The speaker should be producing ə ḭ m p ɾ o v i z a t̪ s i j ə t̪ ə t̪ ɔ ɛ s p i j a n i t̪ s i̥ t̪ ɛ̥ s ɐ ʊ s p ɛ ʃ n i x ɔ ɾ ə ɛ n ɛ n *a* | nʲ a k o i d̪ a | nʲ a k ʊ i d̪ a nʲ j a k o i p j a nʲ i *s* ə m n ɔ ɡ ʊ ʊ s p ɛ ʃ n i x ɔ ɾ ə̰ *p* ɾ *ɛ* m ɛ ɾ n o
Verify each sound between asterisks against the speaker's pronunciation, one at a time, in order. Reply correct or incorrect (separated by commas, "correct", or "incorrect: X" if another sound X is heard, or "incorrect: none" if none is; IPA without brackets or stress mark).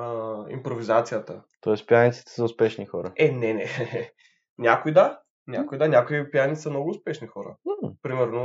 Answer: incorrect: ɛ, correct, correct, incorrect: i